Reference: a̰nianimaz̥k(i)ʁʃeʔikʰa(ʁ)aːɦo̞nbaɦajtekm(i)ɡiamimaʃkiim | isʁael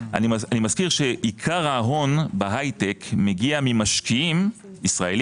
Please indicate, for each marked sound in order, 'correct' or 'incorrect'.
correct, correct, incorrect: e

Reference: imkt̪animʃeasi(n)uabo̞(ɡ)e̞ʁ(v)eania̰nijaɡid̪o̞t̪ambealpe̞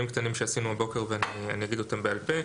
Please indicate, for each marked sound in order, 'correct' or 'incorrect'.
correct, incorrect: k, correct

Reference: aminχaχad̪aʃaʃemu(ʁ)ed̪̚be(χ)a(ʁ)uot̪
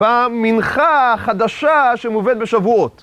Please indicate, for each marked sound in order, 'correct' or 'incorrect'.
incorrect: v, incorrect: ʃ, incorrect: v

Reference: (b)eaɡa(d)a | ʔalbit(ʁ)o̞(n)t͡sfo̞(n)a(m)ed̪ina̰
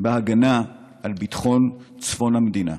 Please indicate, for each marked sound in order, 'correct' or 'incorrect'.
correct, incorrect: n, incorrect: χ, correct, correct, correct

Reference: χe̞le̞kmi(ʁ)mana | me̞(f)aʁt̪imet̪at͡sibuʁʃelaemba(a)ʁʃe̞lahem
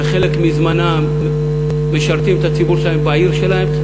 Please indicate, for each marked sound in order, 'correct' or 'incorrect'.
incorrect: z, incorrect: ʃ, incorrect: i

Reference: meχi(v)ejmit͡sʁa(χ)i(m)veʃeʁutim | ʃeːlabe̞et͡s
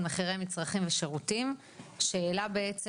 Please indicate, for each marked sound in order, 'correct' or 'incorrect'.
incorrect: ʁ, correct, correct

